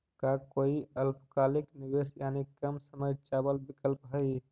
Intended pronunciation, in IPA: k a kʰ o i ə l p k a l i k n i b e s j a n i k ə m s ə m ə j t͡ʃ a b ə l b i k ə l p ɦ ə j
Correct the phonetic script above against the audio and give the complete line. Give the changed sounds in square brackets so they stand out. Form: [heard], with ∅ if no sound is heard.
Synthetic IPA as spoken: k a [k] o i ə l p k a l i k n i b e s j a n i k ə m s ə m ə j t͡ʃ a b ə l b i k ə l p ɦ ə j